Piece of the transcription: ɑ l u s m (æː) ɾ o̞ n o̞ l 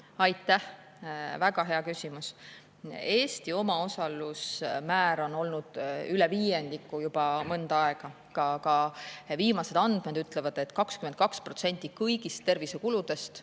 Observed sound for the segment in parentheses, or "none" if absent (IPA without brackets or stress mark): æː